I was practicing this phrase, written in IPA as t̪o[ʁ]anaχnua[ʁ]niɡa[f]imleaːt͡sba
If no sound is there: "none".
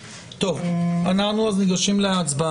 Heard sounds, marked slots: v, z, ʃ

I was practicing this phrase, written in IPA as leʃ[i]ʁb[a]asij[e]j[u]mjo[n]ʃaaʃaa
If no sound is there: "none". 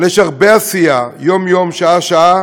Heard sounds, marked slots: a, e, a, o, m

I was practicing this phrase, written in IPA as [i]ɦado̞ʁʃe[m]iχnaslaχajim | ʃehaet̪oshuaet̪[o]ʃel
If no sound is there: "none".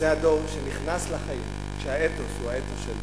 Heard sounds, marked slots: e, n, o

